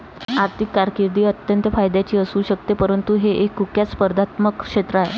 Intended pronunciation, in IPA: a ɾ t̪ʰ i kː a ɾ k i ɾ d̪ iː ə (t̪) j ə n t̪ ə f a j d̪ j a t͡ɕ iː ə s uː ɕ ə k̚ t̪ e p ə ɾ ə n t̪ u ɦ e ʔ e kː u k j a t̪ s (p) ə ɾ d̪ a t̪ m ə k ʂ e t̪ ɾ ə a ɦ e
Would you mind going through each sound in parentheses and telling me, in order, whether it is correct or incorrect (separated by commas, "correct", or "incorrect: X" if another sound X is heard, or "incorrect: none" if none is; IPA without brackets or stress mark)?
correct, correct